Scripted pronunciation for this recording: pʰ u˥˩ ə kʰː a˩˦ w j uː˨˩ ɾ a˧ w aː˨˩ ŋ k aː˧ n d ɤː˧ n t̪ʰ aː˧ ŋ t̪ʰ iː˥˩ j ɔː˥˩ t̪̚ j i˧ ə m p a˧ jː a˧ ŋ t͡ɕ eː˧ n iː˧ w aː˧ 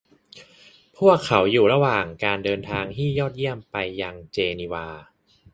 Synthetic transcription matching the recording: pʰ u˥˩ ə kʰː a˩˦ w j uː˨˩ ɾ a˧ w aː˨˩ ŋ k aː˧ n d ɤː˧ n t̪ʰ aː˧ ŋ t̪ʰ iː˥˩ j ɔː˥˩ t̪̚ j i˥˩ ə m p a˧ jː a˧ ŋ t͡ɕ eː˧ n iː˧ w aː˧